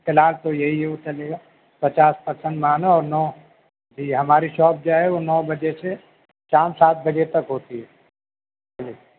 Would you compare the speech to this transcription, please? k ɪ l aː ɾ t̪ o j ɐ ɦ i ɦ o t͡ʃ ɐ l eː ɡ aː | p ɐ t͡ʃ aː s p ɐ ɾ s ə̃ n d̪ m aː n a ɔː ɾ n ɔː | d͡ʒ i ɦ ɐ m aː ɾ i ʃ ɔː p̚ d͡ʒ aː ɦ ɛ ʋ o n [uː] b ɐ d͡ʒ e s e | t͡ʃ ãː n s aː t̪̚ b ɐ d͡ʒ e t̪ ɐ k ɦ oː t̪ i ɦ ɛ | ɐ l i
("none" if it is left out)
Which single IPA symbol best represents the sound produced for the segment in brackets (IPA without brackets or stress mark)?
ɔː